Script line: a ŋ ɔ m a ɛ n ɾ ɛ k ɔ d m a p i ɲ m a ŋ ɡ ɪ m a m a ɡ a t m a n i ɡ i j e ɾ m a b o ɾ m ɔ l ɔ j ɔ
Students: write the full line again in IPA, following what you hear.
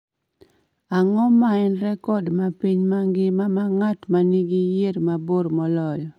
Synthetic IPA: a ŋ ɔ m a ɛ n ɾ ɛ k ɔ d m a p i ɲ m a ŋ ɡ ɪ m a m a ŋ a t m a n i ɡ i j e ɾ m a b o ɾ m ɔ l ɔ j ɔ

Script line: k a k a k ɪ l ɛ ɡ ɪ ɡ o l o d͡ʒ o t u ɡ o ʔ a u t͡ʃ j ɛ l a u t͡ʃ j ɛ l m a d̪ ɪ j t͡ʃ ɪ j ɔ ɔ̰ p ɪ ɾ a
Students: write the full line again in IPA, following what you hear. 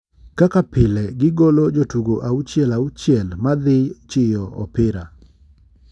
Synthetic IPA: k a k a p ɪ l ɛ ɡ ɪ ɡ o l o d͡ʒ o t u ɡ o ʔ a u t͡ʃ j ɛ l a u t͡ʃ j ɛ l m a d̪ ɪ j t͡ʃ ɪ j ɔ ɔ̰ p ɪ ɾ a

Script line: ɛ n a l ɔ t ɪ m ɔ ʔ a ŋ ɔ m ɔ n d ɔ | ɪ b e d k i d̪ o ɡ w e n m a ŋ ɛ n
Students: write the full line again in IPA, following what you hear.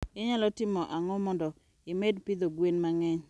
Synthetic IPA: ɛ ɲ a l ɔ t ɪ m ɔ ʔ a ŋ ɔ m ɔ n d ɔ | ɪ m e d p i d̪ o ɡ w e n m a ŋ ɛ ɲ

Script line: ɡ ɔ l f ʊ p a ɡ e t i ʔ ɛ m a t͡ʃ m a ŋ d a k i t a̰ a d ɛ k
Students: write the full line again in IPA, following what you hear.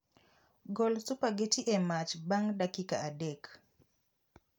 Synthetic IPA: ɡ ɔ l s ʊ p a ɡ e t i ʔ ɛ m a t͡ʃ b a ŋ d a k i k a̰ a d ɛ k

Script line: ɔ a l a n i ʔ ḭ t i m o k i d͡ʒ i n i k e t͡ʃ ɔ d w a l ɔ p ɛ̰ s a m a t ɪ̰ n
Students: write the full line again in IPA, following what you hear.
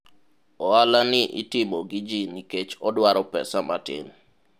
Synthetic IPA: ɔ a l a n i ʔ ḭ t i m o ɡ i d͡ʒ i n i k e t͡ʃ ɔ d w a ɾ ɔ p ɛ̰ s a m a t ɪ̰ n

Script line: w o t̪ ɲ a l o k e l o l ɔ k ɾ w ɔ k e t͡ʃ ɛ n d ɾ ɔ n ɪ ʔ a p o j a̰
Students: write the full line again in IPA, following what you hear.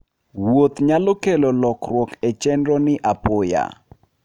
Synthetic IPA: w o t̪ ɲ a l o k e l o l ɔ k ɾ w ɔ k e t͡ʃ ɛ n d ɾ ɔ n ɪ ʔ a p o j a̰

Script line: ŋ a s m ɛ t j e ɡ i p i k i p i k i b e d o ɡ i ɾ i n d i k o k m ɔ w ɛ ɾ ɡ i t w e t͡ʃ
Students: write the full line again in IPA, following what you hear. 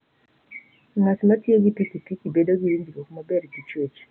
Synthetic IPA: ŋ a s m a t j e ɡ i p i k i p i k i b e d o ɡ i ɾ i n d i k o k m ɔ b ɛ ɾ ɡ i t͡ʃ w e t͡ʃ

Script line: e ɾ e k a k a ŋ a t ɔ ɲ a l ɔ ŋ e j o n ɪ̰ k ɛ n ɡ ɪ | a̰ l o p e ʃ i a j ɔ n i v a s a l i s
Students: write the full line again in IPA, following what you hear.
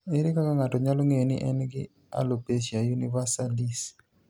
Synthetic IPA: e ɾ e k a k a ŋ a t ɔ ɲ a l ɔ ŋ e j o n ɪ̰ ʔ ɛ n ɡ ɪ | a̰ l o p e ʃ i a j u n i v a s a l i s

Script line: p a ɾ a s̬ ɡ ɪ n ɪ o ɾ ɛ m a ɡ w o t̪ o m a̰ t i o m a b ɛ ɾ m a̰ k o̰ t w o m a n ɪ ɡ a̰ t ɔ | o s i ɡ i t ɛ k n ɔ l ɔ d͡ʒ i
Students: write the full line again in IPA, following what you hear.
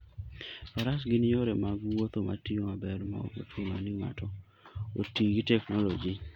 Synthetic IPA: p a ɾ a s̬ ɡ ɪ n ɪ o ɾ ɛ m a ɡ w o t̪ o m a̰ t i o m a b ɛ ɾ m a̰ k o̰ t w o m a n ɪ ŋ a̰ t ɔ | o t i ɡ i t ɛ k n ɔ l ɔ d͡ʒ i

